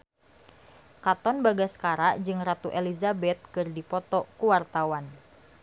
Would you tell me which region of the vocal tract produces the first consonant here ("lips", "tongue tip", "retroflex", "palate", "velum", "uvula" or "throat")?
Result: velum